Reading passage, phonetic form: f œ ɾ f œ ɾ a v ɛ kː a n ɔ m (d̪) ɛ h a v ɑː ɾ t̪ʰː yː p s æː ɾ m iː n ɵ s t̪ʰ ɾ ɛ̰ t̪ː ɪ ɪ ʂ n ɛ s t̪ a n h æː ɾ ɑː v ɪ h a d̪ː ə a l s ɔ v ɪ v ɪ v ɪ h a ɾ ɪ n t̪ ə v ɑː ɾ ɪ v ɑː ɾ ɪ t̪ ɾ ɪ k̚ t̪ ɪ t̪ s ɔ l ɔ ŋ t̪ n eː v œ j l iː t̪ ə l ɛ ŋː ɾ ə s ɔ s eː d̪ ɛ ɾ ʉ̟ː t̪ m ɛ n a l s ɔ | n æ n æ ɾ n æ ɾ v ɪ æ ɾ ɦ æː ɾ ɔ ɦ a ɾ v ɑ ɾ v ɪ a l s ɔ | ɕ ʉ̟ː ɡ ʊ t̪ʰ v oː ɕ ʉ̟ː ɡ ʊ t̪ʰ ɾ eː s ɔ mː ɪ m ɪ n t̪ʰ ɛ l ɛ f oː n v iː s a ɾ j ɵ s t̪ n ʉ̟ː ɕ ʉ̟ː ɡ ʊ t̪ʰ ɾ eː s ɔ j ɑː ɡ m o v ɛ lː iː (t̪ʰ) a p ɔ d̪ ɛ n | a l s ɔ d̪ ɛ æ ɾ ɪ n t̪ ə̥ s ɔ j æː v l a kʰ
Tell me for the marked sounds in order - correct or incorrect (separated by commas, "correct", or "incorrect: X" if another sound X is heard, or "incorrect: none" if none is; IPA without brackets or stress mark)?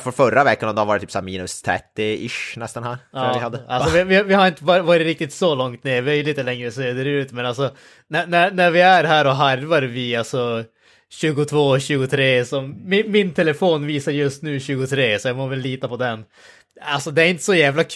correct, incorrect: t̪